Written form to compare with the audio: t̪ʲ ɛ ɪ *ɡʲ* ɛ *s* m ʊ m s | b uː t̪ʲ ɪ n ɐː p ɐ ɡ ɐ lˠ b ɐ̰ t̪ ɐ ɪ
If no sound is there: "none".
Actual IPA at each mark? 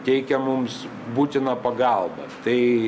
kʲ, none

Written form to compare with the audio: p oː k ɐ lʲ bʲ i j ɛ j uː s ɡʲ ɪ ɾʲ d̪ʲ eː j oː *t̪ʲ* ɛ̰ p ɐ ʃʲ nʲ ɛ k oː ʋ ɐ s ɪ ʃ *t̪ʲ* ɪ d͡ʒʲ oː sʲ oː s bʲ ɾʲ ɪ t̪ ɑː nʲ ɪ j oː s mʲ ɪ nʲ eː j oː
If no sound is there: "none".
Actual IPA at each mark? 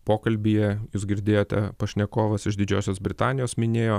t̪ʲ, d̪ʲ

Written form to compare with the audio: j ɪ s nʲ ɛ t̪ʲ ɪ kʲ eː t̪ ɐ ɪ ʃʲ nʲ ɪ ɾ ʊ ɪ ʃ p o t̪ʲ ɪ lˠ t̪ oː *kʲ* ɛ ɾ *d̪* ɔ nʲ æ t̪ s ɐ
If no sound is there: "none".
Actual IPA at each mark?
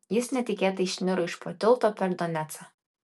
pʲ, d̪

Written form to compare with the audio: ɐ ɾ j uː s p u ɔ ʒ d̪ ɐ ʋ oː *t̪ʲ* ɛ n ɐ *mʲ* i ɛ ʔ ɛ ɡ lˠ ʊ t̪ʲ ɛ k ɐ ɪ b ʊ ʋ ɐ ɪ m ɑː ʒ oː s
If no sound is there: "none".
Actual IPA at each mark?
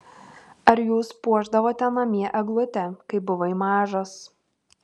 t̪ʲ, mʲ

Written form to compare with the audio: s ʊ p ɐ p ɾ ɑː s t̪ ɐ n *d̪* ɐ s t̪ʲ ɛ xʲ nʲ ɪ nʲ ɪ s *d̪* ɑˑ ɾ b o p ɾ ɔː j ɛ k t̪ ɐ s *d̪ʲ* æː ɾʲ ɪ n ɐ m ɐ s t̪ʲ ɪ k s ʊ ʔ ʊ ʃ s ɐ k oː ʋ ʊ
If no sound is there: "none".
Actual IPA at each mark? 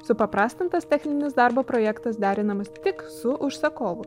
t̪, d̪, d̪ʲ

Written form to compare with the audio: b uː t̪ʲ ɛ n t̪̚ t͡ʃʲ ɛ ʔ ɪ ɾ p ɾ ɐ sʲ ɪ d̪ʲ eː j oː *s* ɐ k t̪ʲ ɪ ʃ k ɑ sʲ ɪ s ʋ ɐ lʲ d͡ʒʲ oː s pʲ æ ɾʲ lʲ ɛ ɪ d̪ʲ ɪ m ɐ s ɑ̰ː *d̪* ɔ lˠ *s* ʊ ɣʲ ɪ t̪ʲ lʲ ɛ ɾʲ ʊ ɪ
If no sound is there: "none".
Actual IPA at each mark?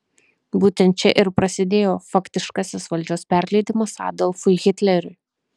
f, d̪, f

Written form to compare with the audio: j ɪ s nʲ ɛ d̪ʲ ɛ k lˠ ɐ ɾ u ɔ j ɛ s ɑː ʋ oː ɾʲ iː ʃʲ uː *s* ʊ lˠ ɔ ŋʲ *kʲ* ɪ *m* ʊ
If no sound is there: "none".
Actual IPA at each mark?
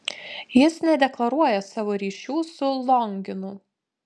s, ɡʲ, n

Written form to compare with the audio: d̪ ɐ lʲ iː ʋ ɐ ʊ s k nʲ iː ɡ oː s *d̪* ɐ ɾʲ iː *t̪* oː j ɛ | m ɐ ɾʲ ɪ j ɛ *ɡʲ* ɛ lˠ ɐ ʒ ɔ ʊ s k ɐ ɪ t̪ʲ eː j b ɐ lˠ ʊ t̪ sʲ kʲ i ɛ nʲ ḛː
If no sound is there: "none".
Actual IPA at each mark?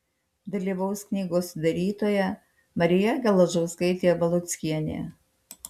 d̪, t̪, ɡʲ

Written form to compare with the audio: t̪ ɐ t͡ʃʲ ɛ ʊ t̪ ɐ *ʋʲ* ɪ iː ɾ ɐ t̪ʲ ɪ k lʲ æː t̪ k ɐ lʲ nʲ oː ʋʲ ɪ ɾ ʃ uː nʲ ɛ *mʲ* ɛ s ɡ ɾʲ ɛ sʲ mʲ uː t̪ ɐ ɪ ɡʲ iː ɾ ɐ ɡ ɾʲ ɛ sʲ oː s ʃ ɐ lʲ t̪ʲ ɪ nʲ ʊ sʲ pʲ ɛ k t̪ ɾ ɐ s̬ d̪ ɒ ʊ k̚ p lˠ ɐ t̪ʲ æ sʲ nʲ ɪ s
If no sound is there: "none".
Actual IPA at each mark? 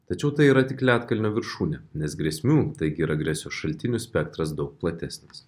none, nʲ

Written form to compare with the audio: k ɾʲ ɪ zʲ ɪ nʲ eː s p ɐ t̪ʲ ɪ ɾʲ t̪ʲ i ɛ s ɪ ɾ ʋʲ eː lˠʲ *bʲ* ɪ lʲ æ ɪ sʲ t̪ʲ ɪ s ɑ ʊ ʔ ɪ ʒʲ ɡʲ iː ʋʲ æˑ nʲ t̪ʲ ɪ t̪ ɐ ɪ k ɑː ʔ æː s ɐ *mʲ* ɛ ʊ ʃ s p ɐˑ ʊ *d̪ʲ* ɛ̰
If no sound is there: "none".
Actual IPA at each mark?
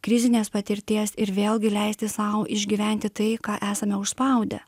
ɡʲ, mʲ, d̪ʲ

